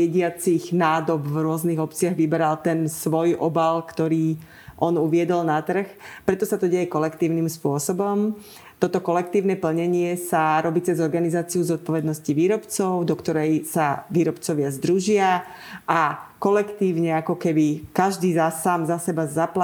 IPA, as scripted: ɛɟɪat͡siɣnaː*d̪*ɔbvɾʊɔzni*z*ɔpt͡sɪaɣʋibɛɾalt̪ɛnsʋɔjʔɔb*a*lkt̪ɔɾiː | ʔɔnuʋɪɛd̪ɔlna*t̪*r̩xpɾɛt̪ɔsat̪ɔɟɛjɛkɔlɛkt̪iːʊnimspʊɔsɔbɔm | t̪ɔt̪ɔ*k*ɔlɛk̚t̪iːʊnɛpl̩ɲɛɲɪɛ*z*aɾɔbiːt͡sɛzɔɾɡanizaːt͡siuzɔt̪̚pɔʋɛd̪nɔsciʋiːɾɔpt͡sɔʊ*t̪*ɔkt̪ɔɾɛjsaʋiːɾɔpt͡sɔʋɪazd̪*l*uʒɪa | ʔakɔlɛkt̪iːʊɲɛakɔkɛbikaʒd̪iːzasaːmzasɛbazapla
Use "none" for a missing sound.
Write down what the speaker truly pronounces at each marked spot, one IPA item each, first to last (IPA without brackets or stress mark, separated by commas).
d̪, ɣ, a, t̪, k, s, d̪, ɾ